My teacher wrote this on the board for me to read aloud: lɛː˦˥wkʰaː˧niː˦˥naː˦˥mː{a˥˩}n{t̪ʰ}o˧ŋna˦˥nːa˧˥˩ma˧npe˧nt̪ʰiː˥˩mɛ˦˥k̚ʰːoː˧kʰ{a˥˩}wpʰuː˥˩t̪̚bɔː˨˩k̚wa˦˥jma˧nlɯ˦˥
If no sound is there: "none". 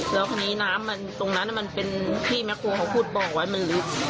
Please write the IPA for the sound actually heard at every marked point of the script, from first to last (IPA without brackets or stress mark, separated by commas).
a˧, t̪, a˧˥